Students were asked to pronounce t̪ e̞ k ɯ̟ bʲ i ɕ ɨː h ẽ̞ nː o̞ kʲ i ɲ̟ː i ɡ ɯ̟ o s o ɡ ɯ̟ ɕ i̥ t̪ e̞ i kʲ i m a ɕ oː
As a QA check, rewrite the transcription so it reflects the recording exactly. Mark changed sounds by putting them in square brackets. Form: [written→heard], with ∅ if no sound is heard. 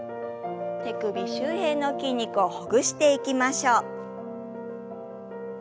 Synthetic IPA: t̪ e̞ k ɯ̟ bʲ i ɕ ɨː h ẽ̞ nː o̞ kʲ i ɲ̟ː i [ɡ→k] ɯ̟ o [s→h] o ɡ ɯ̟ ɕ i̥ t̪ e̞ i kʲ i m a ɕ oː